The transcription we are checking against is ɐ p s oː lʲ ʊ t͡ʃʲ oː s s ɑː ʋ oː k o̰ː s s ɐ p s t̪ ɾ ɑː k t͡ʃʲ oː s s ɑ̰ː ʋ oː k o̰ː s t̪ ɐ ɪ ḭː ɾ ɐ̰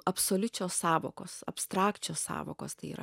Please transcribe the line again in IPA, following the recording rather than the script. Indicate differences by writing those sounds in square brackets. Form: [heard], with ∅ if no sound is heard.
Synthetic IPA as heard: ɐ p s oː lʲ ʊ t͡ʃʲ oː s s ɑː ʋ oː k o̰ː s s ɐ p s t̪ ɾ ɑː k t͡ʃʲ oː s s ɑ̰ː ʋ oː k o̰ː s t̪ ɐ ɪ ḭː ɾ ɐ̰